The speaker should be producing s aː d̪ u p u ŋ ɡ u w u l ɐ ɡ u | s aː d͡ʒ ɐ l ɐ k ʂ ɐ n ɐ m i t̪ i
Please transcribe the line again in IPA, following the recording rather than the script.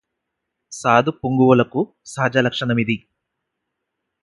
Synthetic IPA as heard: s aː d̪ u p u ŋ ɡ u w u l ɐ k u | s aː d͡ʒ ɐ l ɐ k ʂ ɐ n ɐ m i d̪ i